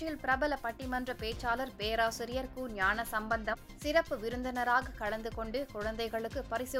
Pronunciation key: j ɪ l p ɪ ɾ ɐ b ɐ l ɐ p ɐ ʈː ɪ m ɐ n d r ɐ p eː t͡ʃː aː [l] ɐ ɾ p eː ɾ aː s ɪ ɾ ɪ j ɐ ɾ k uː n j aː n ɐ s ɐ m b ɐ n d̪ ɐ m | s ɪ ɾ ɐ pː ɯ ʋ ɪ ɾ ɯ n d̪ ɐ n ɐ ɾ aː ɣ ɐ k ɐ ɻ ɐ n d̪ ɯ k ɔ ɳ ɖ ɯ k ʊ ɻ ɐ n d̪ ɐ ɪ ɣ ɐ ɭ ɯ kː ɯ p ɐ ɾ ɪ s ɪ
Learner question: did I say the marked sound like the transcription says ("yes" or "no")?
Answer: yes